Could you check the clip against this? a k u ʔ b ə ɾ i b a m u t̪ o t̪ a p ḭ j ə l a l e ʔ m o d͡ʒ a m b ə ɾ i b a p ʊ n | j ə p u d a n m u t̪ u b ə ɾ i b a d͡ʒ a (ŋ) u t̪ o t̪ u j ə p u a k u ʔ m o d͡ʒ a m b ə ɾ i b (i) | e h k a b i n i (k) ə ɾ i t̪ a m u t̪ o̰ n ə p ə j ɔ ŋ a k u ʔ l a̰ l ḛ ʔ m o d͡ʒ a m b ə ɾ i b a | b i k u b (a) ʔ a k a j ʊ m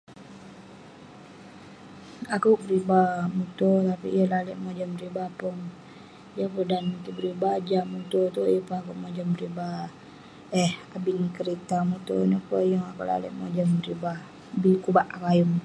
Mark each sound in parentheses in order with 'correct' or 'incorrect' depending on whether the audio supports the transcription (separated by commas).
incorrect, incorrect, correct, correct